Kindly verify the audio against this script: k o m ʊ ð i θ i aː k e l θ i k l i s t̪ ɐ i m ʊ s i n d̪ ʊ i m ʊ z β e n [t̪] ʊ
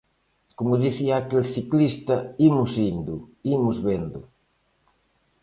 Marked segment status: incorrect: d̪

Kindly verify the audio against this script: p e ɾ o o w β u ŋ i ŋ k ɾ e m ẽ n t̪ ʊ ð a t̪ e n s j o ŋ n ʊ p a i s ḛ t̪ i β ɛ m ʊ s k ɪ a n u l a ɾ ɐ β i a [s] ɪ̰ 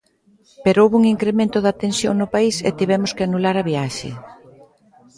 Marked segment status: incorrect: ʃ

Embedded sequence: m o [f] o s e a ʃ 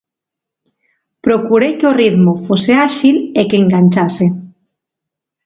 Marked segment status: correct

